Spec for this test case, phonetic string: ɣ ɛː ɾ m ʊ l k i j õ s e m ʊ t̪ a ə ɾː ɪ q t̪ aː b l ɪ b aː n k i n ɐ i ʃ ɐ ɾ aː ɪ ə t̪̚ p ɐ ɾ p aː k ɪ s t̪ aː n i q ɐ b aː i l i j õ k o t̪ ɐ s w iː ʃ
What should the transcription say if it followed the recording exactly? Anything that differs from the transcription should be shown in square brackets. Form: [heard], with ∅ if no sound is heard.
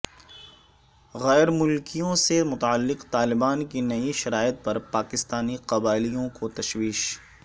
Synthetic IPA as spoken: ɣ ɛː ɾ m ʊ l k i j õ s e m ʊ t̪ a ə [lː] ɪ q t̪ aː [∅] l ɪ b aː n k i n ɐ i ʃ ɐ ɾ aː ɪ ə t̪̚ p ɐ ɾ p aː k ɪ s t̪ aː n i q ɐ b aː [ɪ] l i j õ k o t̪ ɐ [ʃ] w iː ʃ